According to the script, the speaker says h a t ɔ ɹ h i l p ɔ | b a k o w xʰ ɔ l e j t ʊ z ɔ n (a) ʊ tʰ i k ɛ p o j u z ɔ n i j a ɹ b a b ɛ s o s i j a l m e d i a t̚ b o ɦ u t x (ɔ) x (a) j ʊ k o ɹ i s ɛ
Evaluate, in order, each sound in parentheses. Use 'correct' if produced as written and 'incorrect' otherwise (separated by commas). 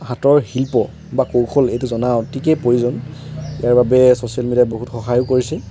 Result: correct, correct, correct